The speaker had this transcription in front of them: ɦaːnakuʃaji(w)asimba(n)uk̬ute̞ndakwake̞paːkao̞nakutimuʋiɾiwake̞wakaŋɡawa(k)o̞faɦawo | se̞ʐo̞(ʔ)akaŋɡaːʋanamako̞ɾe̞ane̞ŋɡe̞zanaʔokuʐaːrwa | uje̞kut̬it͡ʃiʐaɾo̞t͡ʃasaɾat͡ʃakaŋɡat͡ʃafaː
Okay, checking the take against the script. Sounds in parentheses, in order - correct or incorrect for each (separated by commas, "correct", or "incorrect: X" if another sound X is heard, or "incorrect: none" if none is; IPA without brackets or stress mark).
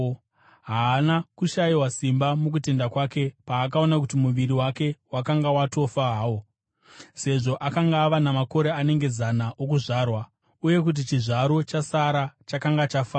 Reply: correct, incorrect: m, incorrect: t, correct